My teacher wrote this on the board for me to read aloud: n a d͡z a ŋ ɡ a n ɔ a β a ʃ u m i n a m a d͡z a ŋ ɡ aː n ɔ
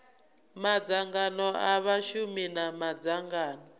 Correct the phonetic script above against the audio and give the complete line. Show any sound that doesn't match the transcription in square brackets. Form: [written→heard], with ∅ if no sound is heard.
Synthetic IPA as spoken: [n→m] a d͡z a ŋ ɡ a n ɔ a β a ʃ u m i n a m a d͡z a ŋ ɡ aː n ɔ